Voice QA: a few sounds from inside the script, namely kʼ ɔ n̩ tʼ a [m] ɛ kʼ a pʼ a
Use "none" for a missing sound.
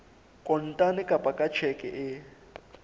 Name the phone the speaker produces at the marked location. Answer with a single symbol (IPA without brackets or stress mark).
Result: n